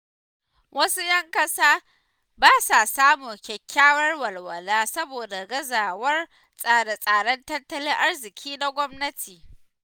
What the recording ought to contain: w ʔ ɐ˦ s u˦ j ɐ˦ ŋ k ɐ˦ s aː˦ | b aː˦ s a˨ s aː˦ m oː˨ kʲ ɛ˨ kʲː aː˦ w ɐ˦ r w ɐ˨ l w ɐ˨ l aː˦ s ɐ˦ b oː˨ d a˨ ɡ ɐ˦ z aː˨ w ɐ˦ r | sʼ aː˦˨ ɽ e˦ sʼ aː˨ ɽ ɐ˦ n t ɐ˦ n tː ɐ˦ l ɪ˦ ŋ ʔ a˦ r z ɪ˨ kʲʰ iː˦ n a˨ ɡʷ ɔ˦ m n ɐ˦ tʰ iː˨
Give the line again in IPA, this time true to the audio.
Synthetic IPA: w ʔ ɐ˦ s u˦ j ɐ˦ ŋ k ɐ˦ s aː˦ | b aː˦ s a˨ s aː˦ m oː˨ kʲ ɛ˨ kʲː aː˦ w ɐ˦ r w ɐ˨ l w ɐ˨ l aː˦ s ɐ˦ b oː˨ d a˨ ɡ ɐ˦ z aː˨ w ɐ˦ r | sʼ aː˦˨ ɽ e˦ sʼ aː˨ ɽ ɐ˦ n t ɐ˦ n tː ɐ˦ l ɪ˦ ŋ ʔ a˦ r z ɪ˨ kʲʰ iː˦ n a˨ ɡʷ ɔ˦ m n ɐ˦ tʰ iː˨